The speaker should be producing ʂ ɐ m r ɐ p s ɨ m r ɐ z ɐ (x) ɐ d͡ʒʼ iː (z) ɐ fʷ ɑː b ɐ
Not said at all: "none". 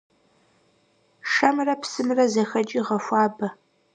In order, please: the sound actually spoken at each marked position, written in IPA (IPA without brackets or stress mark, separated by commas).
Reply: x, ʁ